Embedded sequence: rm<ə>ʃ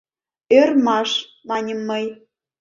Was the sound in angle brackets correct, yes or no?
no